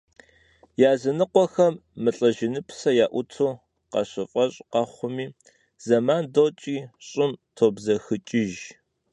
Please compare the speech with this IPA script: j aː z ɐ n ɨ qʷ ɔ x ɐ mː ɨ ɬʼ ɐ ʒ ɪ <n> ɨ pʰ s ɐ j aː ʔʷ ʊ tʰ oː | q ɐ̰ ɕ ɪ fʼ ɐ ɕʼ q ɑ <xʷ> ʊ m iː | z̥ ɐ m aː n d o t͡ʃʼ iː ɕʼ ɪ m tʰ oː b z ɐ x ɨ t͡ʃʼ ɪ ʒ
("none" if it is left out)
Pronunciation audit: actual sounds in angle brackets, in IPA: n, χʷ

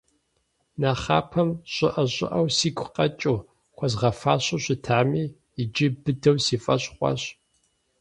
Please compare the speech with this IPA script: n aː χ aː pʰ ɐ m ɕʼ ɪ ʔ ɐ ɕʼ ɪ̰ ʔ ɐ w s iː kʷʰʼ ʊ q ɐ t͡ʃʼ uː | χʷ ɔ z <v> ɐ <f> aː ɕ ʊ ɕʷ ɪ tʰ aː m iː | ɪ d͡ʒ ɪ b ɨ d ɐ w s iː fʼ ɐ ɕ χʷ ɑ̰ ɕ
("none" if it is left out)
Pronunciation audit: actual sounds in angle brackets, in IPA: ʁ, f

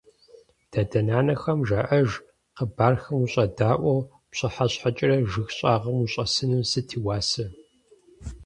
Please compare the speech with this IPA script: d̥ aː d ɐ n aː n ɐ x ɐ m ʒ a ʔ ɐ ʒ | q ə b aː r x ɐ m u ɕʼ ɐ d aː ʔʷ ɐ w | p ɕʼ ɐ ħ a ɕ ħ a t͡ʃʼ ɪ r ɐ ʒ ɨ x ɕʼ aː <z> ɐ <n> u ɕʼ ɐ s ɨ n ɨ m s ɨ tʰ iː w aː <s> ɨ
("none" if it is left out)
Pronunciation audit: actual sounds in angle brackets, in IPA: ʁ, m, s

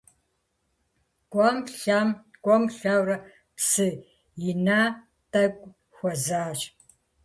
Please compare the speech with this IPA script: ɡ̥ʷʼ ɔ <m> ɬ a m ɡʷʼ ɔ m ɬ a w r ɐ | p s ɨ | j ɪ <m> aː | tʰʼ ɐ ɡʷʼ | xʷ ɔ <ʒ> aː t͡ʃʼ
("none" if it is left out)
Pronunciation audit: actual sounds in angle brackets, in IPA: m, n, z

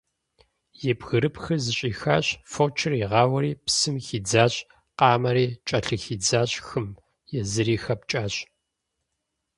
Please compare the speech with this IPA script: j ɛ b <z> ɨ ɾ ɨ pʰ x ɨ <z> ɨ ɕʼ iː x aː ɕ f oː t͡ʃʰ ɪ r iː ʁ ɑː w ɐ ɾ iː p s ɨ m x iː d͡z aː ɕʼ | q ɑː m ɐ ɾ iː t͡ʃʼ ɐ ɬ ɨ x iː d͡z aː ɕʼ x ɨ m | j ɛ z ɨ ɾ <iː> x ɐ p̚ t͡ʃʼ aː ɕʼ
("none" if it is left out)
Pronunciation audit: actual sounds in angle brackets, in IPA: ɣ, z, iː

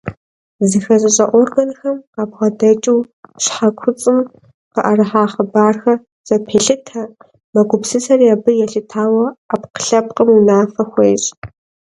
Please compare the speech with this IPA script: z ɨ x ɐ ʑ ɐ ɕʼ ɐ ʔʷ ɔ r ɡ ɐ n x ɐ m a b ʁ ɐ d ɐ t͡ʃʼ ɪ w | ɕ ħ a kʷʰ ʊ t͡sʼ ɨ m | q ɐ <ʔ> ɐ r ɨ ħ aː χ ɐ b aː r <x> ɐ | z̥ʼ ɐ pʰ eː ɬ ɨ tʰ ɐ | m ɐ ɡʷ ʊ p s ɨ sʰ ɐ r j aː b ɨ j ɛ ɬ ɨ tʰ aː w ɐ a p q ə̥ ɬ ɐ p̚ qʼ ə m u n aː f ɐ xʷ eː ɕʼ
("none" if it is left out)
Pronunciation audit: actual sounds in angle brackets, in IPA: ʔ, x

